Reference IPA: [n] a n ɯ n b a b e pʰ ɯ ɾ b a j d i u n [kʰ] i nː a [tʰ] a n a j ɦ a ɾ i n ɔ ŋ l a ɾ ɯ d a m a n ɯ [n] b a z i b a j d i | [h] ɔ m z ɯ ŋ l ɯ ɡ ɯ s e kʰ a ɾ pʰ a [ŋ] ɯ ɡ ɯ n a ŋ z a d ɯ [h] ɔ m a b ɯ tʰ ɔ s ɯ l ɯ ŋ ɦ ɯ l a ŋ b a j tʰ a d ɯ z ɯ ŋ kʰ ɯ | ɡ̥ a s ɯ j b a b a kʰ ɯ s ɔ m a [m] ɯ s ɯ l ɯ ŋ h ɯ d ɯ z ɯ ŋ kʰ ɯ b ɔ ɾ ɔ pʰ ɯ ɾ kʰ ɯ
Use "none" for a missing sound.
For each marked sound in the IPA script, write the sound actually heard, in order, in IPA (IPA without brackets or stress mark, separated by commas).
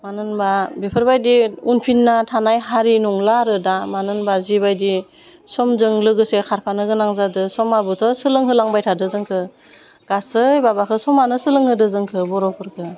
m, pʰ, tʰ, n, s, n, s, n